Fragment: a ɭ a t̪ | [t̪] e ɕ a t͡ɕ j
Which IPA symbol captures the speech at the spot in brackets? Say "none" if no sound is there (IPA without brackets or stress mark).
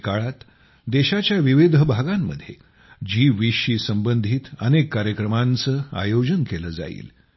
d̪